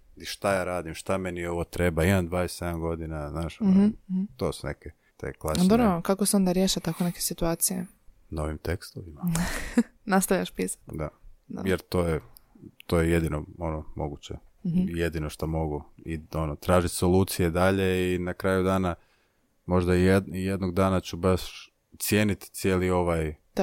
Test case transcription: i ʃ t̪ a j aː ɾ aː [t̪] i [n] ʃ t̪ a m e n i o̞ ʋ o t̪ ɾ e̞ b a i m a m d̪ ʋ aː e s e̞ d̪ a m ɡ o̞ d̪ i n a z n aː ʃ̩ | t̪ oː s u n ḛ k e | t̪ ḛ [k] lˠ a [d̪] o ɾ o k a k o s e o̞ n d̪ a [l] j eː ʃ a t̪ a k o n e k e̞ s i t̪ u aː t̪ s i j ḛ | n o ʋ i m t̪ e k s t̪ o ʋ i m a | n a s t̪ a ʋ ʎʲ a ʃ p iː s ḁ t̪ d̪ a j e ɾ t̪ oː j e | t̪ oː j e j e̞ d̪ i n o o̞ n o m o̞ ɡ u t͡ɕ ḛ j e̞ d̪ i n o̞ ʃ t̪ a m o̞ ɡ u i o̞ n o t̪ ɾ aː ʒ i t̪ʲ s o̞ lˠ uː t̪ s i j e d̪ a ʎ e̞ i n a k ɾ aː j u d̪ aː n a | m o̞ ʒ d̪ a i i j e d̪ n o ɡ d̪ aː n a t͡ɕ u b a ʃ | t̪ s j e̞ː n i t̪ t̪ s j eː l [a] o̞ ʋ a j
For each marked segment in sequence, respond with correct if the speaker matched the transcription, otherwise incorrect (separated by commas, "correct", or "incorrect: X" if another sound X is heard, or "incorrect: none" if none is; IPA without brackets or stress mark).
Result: incorrect: d̪, incorrect: m, correct, correct, incorrect: ɾ, incorrect: i